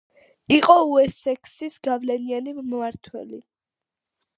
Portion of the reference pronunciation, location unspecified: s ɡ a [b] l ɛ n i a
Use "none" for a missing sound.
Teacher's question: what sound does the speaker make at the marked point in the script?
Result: v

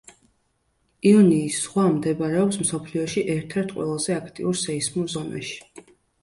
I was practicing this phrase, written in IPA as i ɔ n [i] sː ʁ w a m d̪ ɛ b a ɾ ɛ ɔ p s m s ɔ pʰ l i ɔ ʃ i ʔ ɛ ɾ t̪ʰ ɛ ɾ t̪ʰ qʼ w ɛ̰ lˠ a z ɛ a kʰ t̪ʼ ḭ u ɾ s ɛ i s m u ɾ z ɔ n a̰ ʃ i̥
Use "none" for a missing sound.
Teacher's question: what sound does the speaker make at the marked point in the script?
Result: iː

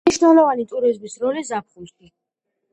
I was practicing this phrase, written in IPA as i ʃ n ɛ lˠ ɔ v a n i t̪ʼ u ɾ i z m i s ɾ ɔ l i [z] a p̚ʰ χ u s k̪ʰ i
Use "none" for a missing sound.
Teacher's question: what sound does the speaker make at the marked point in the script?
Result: z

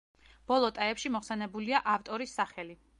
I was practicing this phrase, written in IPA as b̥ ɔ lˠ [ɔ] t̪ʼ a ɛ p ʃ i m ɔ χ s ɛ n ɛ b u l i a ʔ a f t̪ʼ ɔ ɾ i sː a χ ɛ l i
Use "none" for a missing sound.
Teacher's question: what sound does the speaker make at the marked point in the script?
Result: ɔ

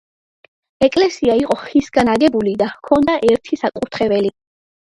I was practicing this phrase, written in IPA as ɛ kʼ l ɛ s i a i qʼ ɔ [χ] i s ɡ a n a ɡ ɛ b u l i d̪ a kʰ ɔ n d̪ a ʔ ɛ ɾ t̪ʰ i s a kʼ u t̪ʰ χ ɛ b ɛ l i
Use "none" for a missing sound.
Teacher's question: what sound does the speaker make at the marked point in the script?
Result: χ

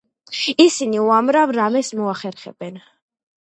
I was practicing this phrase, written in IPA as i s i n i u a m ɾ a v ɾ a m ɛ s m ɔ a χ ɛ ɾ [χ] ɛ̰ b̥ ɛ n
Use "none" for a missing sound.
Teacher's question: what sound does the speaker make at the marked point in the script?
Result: χ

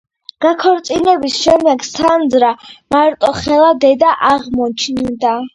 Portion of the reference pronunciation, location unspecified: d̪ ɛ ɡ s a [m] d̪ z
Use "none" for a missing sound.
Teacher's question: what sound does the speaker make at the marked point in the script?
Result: n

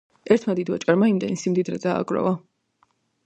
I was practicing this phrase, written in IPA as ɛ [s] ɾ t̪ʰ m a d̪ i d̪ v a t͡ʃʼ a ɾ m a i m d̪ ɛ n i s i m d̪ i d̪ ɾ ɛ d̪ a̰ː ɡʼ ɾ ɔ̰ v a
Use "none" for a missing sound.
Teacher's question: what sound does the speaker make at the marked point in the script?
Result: none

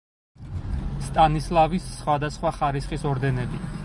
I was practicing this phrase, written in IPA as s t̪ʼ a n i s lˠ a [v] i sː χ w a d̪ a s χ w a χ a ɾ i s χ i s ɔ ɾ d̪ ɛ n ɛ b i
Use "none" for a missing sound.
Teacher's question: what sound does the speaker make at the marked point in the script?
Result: v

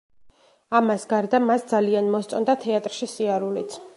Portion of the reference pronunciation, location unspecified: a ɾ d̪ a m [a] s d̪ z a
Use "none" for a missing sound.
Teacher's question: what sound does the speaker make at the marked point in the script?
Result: a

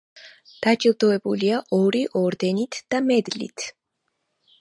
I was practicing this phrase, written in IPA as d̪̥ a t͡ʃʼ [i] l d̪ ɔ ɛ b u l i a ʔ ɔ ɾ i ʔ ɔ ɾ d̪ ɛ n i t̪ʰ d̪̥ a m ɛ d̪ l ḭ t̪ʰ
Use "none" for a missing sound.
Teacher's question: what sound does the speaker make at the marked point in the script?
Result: i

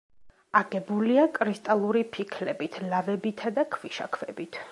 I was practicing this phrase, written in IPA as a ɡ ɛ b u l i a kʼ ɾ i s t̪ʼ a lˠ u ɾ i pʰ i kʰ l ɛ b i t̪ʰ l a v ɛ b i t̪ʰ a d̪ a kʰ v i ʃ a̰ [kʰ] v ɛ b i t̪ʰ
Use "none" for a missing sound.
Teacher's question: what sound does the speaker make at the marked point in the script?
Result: kʰ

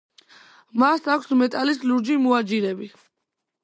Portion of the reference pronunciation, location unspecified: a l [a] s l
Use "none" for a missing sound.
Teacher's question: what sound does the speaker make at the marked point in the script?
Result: i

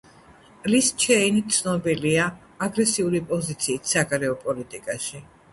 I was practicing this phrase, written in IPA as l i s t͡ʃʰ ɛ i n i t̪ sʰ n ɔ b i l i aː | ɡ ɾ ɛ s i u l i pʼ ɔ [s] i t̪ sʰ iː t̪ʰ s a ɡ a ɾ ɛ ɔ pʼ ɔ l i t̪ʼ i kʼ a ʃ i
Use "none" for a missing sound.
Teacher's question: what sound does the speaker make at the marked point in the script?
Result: z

